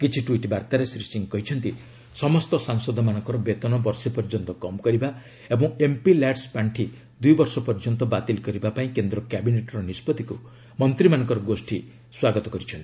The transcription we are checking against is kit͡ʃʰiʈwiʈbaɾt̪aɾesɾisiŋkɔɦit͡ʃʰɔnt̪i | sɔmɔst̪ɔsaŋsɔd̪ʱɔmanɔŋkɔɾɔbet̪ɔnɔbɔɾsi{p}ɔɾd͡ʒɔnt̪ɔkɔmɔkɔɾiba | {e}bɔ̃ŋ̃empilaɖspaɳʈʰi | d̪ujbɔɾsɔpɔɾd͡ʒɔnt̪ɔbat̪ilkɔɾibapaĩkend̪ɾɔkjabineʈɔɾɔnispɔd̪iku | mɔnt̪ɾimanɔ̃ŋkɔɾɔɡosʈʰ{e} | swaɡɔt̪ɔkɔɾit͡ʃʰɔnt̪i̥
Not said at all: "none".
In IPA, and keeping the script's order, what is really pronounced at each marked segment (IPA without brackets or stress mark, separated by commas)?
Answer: p, e, i